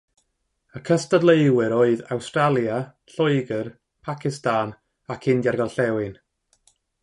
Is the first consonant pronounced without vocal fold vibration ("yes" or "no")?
yes